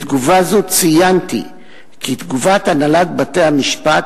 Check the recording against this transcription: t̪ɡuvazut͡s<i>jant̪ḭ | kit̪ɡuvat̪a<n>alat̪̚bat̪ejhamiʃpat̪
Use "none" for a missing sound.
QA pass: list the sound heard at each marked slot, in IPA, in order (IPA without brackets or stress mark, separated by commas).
i, n